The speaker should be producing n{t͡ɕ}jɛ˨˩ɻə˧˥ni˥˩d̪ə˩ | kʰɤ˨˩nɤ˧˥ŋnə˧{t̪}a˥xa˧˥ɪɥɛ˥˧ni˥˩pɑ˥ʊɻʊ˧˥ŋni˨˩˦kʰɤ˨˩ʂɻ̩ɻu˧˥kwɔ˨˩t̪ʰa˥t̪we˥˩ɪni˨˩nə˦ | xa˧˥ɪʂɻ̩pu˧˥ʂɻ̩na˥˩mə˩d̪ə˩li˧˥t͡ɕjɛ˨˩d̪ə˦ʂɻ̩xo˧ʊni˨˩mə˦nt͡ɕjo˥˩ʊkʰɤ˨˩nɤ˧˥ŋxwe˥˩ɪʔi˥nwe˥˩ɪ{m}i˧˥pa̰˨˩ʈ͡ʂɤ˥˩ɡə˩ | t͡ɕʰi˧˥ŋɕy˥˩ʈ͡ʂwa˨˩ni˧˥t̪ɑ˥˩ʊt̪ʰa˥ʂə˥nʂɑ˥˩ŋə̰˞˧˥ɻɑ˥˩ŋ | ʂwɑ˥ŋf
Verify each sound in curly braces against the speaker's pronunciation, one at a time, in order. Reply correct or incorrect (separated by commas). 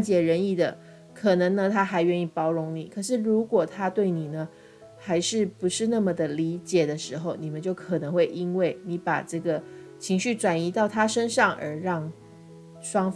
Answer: correct, incorrect, incorrect